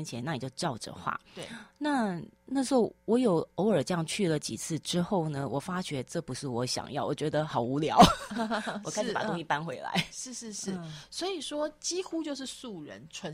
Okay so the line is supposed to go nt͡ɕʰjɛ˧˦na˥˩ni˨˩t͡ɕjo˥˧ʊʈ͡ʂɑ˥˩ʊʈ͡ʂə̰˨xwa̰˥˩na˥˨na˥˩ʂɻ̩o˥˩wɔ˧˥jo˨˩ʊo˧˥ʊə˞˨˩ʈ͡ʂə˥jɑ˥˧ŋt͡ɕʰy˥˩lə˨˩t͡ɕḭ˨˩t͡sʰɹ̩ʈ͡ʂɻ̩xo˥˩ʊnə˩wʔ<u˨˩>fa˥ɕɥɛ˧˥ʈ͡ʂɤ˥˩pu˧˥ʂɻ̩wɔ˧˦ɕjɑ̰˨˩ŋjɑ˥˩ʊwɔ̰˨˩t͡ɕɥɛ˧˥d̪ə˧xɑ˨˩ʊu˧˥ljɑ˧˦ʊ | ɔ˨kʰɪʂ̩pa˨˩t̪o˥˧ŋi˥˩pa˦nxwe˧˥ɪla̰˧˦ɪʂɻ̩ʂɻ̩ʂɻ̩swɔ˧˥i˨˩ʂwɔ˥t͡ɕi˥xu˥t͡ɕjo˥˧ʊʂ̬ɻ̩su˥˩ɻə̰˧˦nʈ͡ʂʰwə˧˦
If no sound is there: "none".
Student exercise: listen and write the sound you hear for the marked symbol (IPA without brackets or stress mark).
ɔ˨˩